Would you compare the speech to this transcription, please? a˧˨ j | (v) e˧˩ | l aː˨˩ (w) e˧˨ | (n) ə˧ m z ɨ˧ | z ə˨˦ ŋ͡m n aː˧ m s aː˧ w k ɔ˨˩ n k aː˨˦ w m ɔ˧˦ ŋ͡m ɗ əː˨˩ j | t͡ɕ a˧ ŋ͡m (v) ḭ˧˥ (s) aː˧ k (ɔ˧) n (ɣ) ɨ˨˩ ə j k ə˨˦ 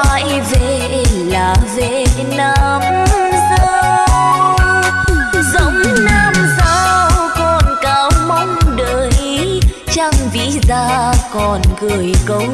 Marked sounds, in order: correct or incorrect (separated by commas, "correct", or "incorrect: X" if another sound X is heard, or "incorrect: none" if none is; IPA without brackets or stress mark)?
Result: correct, incorrect: v, correct, correct, incorrect: z, incorrect: ɔ˨˩, correct